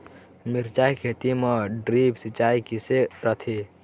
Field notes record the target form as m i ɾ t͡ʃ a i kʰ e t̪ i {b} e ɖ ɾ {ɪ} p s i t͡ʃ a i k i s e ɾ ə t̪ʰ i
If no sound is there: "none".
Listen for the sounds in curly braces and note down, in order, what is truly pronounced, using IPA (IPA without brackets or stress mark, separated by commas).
m, i